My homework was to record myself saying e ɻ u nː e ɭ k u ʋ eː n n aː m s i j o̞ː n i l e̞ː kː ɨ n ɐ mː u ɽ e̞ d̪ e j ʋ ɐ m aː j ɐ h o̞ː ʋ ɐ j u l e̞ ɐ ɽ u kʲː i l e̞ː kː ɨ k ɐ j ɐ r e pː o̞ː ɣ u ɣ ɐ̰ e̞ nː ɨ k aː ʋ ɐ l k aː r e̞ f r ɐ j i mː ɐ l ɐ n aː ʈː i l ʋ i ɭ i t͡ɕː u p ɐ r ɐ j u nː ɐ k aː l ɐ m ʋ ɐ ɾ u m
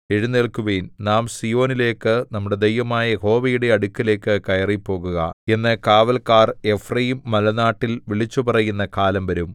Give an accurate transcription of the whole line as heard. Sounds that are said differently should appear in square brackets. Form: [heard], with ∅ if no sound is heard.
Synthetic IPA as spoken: e ɻ u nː e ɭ k u ʋ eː n n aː m s i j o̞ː n i l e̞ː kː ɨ n ɐ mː u ɽ e̞ d̪ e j ʋ ɐ m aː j ɐ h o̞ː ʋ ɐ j u [ɽ] e̞ ɐ ɽ u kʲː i l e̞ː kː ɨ k ɐ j ɐ r [i] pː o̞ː ɣ u ɣ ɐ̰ e̞ nː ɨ k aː ʋ ɐ l k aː r e̞ f r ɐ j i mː ɐ l ɐ n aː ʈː i l ʋ i ɭ i t͡ɕː u p ɐ r ɐ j u nː ɐ k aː l ɐ m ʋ ɐ ɾ u m